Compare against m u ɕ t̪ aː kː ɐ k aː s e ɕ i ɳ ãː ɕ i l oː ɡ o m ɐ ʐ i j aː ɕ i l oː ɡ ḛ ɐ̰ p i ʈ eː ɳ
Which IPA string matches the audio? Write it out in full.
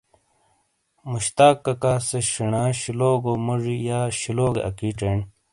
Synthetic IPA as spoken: m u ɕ t̪ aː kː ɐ k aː s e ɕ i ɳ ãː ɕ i l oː ɡ o m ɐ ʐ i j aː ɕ i l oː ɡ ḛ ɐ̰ k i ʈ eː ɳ